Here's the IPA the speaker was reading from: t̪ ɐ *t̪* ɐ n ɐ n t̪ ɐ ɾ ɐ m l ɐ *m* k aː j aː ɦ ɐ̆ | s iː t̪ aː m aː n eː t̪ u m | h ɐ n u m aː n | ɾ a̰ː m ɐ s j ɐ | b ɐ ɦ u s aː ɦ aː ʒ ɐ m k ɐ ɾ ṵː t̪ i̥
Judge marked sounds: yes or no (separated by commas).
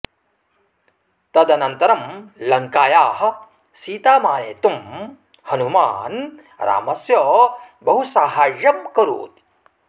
no, no